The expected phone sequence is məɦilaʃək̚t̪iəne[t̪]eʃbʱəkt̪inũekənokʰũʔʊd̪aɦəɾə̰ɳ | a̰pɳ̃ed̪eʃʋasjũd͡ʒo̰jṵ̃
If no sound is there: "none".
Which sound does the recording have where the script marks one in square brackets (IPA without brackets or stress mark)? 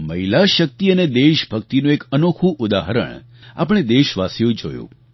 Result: d̪